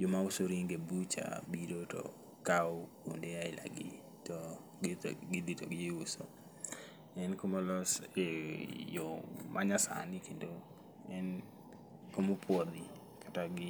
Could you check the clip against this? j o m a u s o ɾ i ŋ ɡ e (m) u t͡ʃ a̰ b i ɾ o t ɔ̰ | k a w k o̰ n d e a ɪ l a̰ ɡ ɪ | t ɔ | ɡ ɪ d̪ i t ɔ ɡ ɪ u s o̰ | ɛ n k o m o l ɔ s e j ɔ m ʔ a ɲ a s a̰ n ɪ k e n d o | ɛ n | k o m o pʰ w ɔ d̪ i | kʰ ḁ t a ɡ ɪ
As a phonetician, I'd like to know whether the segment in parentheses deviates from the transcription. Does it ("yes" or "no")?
yes